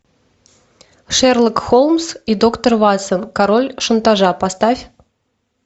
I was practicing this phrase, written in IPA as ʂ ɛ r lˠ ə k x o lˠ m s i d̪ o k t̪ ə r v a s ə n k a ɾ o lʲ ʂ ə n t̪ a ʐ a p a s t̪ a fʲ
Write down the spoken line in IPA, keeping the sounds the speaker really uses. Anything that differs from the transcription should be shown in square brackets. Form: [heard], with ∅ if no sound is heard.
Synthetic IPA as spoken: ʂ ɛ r lˠ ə k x o lˠ m s i d̪ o k t̪ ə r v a s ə n k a ɾ o lʲ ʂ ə n t̪ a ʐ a p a s t̪ a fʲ